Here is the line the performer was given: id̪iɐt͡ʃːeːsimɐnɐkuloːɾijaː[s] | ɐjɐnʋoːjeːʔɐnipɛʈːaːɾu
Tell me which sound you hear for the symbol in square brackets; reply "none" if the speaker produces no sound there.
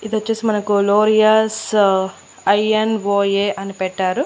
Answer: s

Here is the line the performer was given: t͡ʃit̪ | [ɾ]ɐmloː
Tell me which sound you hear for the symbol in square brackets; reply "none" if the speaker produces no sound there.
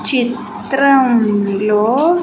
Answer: ɾ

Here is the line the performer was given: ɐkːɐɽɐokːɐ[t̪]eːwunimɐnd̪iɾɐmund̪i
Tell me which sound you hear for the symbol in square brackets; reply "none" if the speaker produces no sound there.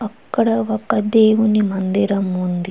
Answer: d̪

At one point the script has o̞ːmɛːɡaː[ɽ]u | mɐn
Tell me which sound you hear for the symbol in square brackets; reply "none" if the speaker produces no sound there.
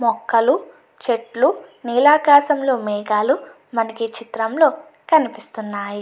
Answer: l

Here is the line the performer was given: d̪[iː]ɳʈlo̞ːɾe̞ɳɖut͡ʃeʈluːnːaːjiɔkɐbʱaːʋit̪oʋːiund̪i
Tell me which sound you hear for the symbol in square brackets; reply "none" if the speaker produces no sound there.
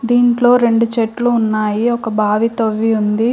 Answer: iː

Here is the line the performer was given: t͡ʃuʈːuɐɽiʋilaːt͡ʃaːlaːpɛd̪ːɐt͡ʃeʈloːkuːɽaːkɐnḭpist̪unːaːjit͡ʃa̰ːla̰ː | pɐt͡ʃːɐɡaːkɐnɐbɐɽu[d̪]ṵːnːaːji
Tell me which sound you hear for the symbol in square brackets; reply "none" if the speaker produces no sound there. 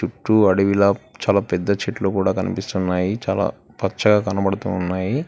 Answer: t̪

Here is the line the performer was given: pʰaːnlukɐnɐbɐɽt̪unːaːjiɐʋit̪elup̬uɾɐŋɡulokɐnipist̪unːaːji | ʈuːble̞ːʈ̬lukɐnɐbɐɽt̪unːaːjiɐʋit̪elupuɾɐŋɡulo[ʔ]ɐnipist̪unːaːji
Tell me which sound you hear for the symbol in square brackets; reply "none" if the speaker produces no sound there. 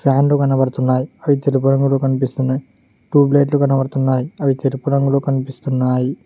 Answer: k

